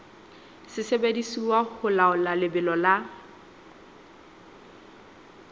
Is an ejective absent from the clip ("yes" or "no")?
yes